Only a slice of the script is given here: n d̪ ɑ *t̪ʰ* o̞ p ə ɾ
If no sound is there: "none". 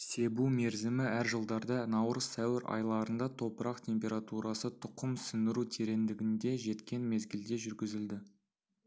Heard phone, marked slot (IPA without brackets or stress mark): t̪ʰ